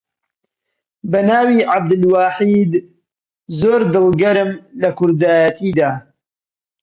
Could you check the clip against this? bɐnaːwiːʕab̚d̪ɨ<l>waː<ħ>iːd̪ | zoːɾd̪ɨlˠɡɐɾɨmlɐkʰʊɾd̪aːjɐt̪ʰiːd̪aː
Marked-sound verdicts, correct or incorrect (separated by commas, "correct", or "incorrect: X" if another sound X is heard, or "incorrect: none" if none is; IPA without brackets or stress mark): correct, correct